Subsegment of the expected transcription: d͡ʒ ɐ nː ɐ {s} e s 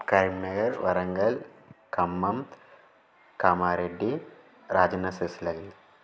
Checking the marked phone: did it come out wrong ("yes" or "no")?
no